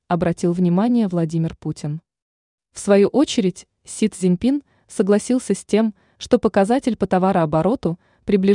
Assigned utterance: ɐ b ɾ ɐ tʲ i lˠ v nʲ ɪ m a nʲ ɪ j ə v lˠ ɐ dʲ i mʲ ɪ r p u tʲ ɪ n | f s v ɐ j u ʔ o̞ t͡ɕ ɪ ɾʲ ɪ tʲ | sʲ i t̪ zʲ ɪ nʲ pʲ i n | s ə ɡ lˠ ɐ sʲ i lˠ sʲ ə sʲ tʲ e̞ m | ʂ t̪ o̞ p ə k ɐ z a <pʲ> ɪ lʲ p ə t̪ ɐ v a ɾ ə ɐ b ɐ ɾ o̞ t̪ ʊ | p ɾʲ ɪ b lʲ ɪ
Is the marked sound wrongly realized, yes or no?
yes